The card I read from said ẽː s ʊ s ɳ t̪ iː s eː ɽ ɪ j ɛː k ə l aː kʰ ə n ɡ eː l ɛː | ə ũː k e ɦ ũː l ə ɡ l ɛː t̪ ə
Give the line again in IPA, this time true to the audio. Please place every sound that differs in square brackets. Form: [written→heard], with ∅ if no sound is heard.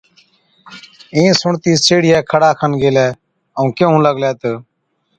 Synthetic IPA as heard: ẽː s ʊ [s→∅] ɳ t̪ iː s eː ɽ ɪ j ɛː [k→kʰ] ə [l→ɽ] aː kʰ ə n ɡ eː l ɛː | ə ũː k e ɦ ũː l ə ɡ l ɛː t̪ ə